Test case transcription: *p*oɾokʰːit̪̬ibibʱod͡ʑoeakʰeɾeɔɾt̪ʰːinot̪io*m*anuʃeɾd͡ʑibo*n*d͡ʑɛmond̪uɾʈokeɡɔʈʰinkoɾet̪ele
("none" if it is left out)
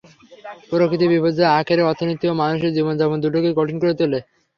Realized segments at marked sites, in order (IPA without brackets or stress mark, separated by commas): p, m, n